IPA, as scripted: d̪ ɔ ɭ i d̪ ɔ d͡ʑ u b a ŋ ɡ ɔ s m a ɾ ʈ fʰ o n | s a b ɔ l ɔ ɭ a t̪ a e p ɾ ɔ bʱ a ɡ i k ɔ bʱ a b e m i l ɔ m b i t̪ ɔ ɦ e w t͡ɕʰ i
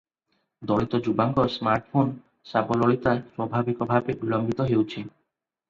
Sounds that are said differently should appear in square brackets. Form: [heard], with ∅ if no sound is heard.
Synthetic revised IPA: d̪ ɔ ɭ i [t̪] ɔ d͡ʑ u b a ŋ ɡ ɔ s m a ɾ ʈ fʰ o n | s a b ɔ l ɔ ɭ [i] t̪ a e p ɾ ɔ bʱ a [b] i k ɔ bʱ a b e [b] i l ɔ m b i t̪ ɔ ɦ e w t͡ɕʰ i